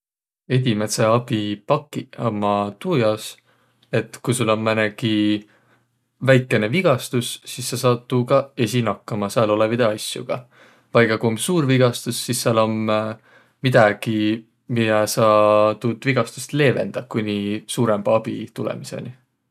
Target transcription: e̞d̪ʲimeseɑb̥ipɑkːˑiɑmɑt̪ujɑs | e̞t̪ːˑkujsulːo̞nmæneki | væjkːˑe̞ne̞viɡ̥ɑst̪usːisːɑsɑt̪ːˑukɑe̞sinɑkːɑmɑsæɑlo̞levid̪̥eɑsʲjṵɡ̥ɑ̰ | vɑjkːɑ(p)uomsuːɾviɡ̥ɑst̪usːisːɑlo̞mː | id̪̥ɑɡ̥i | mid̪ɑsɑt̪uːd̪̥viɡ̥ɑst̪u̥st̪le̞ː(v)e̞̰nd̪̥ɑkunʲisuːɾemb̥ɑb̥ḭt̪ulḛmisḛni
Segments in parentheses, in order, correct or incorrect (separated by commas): incorrect, correct